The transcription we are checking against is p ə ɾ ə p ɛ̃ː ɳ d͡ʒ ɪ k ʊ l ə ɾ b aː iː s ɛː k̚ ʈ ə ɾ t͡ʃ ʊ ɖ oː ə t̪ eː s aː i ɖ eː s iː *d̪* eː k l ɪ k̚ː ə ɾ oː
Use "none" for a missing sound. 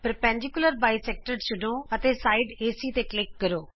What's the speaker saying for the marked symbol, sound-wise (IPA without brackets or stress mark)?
t̪